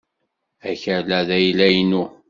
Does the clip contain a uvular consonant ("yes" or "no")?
no